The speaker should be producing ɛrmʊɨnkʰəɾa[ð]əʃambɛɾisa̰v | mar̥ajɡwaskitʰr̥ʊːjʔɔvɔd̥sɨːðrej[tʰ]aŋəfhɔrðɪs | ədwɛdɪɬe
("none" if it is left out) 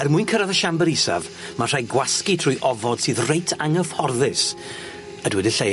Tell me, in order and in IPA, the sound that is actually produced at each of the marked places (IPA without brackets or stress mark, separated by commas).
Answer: ð, tʰ